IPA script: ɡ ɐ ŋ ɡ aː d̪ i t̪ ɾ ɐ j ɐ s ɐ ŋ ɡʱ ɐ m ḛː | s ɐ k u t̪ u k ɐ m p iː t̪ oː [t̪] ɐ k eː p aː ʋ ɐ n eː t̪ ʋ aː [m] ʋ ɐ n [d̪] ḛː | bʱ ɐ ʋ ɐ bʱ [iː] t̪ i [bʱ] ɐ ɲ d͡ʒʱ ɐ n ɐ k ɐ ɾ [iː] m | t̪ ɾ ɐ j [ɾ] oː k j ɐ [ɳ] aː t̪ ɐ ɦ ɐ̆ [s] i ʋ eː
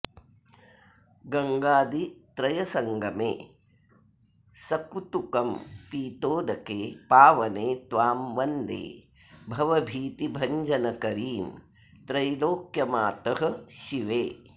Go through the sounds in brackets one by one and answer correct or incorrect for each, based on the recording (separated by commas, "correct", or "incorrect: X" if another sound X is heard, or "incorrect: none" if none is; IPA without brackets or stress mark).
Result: incorrect: d̪, correct, correct, correct, correct, correct, incorrect: l, incorrect: m, incorrect: ʃ